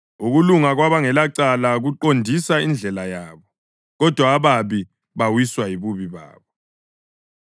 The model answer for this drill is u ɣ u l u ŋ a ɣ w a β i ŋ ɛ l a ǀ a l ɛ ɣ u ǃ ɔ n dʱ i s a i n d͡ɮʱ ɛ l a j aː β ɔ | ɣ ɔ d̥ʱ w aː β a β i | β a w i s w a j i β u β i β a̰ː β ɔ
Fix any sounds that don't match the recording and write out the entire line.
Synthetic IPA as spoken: u ɣ u l u ŋ a ɣ w a β a ŋ ɛ l a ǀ a l a ɣ u ǃ o n dʱ i s a i n d͡ɮʱ ɛ l a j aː β ɔ | ɣ ɔ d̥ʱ w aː β a β i | β a w i s w a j i β u β i β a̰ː β ɔ